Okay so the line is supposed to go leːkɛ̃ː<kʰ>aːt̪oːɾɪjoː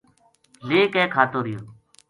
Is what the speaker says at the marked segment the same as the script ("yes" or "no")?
yes